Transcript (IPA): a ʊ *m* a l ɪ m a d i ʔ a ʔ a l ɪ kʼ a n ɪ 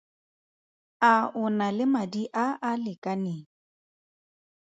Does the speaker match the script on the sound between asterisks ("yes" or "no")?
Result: no